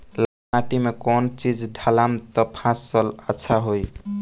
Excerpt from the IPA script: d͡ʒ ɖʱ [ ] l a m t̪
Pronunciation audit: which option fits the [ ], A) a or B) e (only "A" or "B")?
A